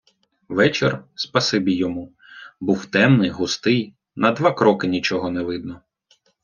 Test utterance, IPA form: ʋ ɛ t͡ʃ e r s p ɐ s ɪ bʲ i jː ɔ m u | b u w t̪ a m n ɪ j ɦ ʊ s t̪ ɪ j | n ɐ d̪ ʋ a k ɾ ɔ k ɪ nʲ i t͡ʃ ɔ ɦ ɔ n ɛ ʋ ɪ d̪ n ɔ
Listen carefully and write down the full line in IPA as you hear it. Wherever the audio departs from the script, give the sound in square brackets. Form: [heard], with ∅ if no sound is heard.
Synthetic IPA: ʋ ɛ t͡ʃ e r s p ɐ s ɪ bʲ i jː ɔ m u | b u w t̪ [ɛ] m n ɪ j ɦ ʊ s t̪ ɪ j | n ɐ d̪ ʋ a k ɾ ɔ k ɪ nʲ i t͡ʃ ɔ ɦ ɔ n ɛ ʋ ɪ d̪ n ɔ